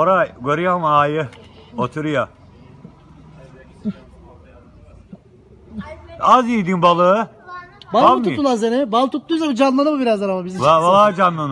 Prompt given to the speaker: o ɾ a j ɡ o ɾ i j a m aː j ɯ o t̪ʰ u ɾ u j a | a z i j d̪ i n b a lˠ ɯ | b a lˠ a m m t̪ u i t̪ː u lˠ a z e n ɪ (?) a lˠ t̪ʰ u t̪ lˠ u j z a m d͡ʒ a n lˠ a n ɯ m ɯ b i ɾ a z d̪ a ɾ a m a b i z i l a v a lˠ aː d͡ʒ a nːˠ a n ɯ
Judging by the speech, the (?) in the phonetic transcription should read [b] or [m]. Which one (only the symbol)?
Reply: b